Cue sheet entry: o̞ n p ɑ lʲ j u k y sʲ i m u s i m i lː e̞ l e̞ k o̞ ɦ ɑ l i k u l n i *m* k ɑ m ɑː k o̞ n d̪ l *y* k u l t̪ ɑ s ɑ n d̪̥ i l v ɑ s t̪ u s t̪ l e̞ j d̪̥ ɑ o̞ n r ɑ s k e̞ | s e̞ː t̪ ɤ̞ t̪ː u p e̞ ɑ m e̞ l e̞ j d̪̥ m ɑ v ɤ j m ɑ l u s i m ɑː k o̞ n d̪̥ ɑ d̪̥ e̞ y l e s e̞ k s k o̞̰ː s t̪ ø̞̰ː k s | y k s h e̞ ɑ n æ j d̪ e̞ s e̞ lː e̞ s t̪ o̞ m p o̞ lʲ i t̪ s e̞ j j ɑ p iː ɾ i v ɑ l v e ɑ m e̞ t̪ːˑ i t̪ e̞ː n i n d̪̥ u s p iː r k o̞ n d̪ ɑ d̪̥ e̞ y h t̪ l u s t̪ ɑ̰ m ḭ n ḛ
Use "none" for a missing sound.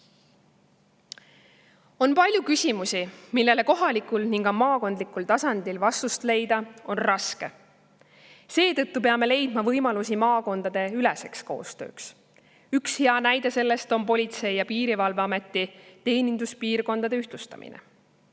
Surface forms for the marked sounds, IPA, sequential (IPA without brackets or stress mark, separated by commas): ŋ, i